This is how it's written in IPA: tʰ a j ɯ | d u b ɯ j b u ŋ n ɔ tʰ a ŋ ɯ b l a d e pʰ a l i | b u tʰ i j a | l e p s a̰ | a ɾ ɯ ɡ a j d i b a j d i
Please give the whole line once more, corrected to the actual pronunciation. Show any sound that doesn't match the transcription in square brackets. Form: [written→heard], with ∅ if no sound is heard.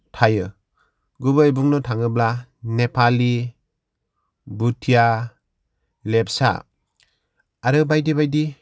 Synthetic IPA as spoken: tʰ a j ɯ | [d→ɡ] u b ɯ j b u ŋ n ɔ tʰ a ŋ ɯ b l a [d→n] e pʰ a l i | b u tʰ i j a | l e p s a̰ | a ɾ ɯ [ɡ→b] a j d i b a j d i

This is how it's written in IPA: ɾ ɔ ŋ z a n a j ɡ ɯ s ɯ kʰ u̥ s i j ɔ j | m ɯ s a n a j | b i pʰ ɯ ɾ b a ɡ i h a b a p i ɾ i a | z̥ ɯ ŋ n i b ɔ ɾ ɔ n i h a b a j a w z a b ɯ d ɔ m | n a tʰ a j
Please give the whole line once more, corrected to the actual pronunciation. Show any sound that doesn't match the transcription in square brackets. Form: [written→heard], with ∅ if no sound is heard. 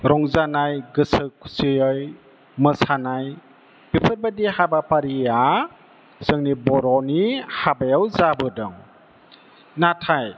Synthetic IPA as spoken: ɾ ɔ ŋ z a n a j ɡ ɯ s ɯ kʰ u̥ s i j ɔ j | m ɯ s a n a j | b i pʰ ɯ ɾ b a [ɡ→d] i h a b a p [i→a] ɾ i a | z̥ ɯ ŋ n i b ɔ ɾ ɔ n i h a b a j a w z a b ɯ d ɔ [m→ŋ] | n a tʰ a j

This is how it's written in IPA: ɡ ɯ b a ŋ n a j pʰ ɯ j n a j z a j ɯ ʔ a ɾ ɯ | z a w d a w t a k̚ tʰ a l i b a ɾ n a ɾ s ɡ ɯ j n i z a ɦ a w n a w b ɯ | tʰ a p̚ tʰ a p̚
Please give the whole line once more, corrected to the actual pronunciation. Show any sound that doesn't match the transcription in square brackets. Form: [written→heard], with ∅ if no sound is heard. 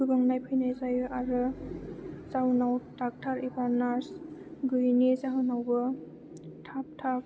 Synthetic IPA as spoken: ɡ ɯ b a ŋ n a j pʰ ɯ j n a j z a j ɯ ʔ a ɾ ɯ | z a w [d→n] a w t a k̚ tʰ a [l→ɾ] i b a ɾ n a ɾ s ɡ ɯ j n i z a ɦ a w n a w b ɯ | tʰ a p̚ tʰ a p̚

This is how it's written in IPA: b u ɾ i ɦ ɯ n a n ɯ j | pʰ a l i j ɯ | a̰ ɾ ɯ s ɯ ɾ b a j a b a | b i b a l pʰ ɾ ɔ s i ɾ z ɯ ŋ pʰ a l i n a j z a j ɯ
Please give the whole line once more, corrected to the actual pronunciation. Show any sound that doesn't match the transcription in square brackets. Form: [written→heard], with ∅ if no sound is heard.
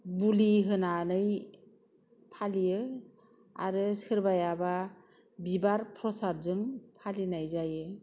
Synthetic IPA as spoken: b u [ɾ→l] i ɦ ɯ n a n ɯ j | pʰ a l i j ɯ | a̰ ɾ ɯ s ɯ ɾ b a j a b a | b i b a [l→ɾ] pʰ ɾ ɔ s [i→a] ɾ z ɯ ŋ pʰ a l i n a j z a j ɯ

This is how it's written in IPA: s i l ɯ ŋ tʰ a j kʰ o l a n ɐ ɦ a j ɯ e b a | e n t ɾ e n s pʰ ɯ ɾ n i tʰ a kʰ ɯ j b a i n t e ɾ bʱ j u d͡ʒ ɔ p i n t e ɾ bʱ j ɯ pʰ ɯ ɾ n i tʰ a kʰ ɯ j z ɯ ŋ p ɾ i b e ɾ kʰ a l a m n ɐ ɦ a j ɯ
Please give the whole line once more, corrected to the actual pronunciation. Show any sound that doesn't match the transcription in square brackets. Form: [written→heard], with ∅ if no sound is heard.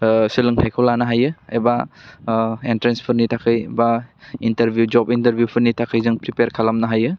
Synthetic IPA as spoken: s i l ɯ ŋ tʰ a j kʰ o l a n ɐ ɦ a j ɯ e b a | e n t ɾ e n s pʰ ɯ ɾ n i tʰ a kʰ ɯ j b a i n t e ɾ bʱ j u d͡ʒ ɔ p i n t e ɾ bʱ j [ɯ→u] pʰ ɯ ɾ n i tʰ a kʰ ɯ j z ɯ ŋ p ɾ i [b→p] e ɾ kʰ a l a m n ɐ ɦ a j ɯ

